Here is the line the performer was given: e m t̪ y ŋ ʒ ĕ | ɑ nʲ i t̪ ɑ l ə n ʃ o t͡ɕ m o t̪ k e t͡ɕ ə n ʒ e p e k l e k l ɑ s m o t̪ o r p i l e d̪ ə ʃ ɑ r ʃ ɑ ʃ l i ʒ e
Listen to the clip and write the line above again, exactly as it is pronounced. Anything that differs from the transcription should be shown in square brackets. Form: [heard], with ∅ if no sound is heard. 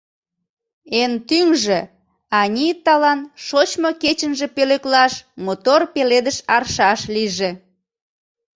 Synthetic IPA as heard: e [n] t̪ y ŋ ʒ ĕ | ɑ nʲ i t̪ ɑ l [ɑ] n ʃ o t͡ɕ m o [∅] k e t͡ɕ ə n ʒ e p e [∅] l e k l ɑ [ʃ] m o t̪ o r p [e] l e d̪ ə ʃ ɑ r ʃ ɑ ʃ l i ʒ e

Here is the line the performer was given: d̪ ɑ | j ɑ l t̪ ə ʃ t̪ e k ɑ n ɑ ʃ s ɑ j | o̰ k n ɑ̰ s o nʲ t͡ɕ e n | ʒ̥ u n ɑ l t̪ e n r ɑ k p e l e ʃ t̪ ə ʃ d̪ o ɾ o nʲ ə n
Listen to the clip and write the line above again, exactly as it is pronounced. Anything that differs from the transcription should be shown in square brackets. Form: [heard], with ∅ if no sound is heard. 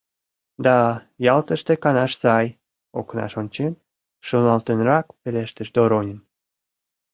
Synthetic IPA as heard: d̪ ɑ | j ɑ l t̪ ə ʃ t̪ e k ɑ n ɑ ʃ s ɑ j | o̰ k n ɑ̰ [ʃ] o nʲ t͡ɕ e n | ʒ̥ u n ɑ l t̪ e n r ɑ k p e l e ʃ t̪ ə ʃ d̪ o ɾ o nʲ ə n

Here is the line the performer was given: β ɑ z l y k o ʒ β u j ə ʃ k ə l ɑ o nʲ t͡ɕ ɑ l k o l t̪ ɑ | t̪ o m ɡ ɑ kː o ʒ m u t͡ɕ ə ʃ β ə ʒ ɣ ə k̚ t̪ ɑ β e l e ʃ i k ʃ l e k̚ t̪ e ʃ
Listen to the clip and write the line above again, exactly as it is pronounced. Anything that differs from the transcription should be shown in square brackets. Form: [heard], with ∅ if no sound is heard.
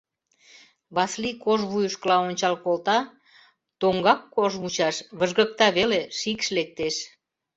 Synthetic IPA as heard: β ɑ [s] l [i] k o ʒ β u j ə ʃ k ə l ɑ o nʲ t͡ɕ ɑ l k o l t̪ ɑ | t̪ o [ŋ] ɡ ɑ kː o ʒ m u t͡ɕ [ɑ] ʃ β ə ʒ ɣ ə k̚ t̪ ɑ β e l e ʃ i k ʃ l e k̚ t̪ e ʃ

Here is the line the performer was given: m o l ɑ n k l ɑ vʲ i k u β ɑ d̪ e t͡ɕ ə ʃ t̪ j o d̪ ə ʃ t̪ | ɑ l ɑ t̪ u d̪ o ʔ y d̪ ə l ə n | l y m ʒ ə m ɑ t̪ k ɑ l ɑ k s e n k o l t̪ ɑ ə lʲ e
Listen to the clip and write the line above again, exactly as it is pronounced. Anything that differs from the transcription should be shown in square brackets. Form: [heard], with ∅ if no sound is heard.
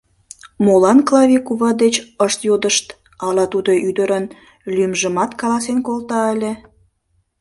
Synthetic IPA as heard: m o l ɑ n k l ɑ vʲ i k u β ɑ d̪ e t͡ɕ ə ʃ t̪ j o d̪ ə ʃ t̪ | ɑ l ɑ t̪ u d̪ o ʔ y d̪ ə [ɾ] ə n | l y m ʒ ə m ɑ t̪ k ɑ l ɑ [∅] s e n k o l t̪ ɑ ə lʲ e

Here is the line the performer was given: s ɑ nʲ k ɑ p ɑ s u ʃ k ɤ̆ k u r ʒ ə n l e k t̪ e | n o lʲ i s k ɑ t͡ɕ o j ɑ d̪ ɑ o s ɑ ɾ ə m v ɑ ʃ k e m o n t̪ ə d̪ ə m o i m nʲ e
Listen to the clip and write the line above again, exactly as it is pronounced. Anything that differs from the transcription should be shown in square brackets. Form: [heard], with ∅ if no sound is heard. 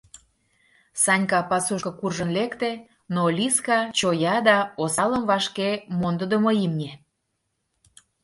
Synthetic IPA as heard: s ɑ nʲ k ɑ p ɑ s u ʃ k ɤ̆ k u r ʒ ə n l e k t̪ e | n o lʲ i s k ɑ t͡ɕ o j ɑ d̪ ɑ o s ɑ [l] ə m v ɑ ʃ k e m o n [d̪] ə d̪ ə m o i m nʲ e

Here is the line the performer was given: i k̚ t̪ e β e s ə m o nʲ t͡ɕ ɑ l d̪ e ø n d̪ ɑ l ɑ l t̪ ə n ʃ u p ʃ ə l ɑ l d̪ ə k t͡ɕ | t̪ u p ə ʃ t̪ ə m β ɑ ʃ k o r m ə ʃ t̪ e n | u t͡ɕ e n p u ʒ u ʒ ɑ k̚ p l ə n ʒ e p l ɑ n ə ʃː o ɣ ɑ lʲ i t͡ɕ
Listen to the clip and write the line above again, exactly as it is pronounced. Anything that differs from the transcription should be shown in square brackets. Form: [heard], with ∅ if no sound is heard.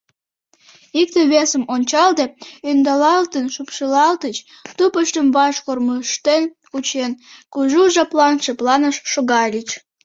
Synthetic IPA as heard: i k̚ t̪ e β e s ə m o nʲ t͡ɕ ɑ l d̪ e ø n d̪ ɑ l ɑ l t̪ ə n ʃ u p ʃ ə l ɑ l [t̪] ə [∅] t͡ɕ | t̪ u p ə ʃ t̪ ə m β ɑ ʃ k o r m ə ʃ t̪ e n | u t͡ɕ e n [k] u ʒ u ʒ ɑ [∅] p l [ɑ] n [ʃ] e p l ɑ n ə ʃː o ɣ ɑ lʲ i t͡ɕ

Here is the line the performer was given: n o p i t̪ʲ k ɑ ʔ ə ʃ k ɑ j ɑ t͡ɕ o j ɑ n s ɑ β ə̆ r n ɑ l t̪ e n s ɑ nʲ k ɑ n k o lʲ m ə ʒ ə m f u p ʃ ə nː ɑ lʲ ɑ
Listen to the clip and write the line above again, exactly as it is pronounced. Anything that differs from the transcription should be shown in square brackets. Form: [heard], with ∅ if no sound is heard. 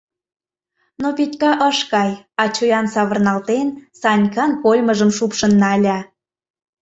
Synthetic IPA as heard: n o p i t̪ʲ k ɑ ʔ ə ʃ k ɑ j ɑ t͡ɕ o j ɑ n s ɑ β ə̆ r n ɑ l t̪ e n s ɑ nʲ k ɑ n k o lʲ m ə ʒ ə m [ʃ] u p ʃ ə nː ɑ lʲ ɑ

